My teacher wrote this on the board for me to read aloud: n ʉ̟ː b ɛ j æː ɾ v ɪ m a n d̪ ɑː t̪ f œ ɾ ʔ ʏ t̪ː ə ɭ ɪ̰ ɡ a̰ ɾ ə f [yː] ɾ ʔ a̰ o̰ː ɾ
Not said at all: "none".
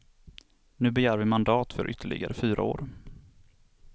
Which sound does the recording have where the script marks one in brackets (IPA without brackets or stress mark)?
yː